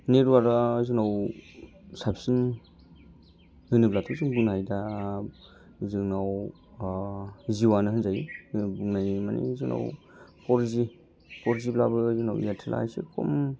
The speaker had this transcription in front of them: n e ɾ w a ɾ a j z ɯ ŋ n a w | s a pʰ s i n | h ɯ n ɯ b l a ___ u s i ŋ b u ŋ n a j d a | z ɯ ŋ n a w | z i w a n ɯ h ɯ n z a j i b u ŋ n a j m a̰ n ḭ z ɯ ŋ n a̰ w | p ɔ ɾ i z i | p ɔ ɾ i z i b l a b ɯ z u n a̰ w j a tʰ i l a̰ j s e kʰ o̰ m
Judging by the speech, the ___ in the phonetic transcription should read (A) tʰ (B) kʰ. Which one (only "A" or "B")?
A